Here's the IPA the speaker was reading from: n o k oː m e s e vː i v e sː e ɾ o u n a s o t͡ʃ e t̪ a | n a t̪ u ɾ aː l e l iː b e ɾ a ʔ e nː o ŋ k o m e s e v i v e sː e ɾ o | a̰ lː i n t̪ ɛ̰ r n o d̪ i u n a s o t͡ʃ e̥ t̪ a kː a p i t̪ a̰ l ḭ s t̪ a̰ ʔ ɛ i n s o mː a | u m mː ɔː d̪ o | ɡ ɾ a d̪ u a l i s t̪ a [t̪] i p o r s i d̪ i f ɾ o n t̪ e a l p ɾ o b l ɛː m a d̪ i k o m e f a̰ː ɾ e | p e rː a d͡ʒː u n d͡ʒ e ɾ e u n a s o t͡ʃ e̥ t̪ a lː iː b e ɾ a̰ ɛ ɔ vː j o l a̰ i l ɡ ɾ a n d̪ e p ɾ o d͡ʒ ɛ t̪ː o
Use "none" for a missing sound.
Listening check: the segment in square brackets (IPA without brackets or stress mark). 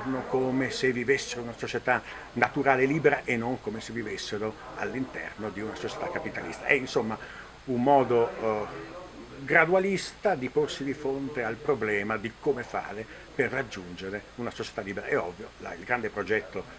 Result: d̪